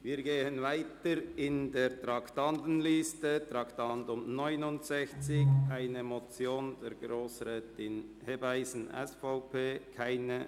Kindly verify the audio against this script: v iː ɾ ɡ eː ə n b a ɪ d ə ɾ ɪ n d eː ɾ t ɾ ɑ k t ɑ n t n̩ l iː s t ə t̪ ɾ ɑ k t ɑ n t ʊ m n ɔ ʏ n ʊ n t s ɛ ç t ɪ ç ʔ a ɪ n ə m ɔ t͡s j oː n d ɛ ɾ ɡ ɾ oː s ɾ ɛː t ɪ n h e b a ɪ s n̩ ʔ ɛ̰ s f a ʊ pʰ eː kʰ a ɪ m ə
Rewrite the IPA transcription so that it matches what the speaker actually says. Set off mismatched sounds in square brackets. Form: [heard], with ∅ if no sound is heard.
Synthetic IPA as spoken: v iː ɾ ɡ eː ə n [v] a ɪ [t] ə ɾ ɪ n d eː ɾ t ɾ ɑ k t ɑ n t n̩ l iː s t ə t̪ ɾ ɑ k t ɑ n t ʊ m n ɔ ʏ n ʊ n t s ɛ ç [t͡s] ɪ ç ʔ a ɪ n ə m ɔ t͡s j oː n d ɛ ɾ ɡ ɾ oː s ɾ ɛː t ɪ n h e b a ɪ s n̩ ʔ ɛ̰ s f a ʊ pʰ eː kʰ a ɪ [n] ə